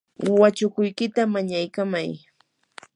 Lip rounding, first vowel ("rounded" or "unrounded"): unrounded